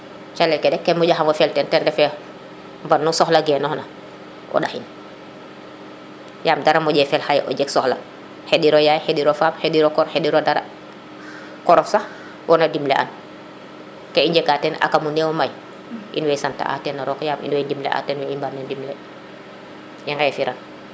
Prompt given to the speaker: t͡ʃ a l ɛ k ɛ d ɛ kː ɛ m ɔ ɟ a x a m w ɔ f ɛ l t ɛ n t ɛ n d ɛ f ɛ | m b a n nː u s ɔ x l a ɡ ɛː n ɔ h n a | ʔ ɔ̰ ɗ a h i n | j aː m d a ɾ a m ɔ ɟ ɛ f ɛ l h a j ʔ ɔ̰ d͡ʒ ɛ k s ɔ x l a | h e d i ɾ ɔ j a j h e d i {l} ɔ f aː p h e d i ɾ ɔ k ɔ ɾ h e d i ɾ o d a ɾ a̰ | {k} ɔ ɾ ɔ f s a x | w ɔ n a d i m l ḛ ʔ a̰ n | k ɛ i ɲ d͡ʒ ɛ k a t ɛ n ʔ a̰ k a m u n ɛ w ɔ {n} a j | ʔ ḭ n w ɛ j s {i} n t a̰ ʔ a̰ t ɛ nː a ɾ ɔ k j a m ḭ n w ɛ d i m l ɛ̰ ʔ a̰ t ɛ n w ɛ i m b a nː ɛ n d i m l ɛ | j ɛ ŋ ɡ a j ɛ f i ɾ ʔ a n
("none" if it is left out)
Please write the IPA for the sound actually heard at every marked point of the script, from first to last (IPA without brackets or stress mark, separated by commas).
ɾ, k, m, a